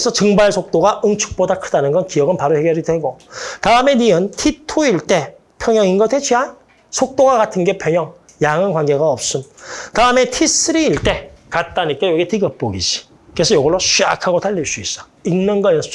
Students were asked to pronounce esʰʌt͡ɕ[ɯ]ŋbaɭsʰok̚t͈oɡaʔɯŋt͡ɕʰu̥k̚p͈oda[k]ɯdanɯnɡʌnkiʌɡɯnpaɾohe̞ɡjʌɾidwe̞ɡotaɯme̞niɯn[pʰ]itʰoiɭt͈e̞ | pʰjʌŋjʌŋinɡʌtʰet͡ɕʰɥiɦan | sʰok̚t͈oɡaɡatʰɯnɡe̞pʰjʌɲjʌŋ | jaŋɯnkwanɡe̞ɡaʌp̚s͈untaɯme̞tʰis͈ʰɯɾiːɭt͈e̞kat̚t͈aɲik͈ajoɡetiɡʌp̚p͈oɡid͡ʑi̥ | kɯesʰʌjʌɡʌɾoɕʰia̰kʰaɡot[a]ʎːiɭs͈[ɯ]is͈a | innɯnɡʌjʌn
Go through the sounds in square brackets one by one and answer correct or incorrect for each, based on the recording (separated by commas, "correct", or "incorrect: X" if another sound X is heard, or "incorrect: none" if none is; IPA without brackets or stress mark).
correct, incorrect: kʰ, incorrect: tʰ, correct, incorrect: u